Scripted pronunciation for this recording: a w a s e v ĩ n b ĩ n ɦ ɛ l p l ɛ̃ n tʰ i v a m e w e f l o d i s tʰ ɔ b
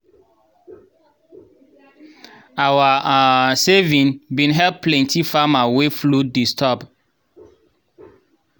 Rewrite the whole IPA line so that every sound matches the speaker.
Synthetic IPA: a w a s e v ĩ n b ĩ n ɦ ɛ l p l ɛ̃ n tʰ i f a m a w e f l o d i s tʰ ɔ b